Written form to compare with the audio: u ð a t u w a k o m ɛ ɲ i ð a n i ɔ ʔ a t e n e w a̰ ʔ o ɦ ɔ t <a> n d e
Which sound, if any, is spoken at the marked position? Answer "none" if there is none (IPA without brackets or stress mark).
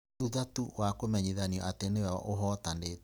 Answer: a